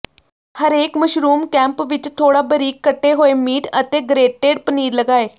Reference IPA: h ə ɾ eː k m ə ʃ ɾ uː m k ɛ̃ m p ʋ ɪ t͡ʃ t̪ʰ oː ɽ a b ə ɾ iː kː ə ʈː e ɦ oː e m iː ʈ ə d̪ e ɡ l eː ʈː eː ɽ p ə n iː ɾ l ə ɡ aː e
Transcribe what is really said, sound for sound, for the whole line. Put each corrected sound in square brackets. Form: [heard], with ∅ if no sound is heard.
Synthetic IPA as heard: h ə ɾ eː k m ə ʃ ɾ uː m k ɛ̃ m p ʋ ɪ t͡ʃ t̪ʰ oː ɽ a b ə ɾ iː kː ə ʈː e ɦ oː e m iː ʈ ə [t̪] e ɡ [ɾ] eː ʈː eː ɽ p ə n iː ɾ l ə ɡ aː e